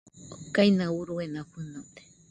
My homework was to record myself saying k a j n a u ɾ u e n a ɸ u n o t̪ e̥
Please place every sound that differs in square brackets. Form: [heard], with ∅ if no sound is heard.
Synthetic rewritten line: k a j n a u ɾ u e n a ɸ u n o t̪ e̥